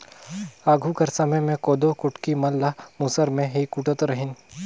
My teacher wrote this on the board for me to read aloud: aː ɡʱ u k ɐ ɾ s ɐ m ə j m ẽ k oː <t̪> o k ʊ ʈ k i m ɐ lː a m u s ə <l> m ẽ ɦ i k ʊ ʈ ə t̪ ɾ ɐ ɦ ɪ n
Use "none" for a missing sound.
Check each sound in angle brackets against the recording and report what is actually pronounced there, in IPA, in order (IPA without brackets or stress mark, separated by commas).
d̪, ɾ